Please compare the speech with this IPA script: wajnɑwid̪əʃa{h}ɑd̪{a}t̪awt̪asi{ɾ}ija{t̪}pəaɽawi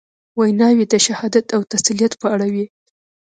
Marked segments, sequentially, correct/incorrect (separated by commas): correct, correct, incorrect, correct